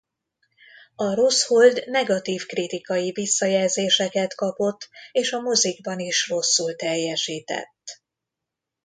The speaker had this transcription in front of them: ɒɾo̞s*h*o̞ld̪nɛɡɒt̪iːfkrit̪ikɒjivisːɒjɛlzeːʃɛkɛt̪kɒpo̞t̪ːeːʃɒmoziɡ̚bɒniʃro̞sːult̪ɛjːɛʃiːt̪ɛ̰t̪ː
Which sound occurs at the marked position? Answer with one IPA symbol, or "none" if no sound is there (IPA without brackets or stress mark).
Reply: h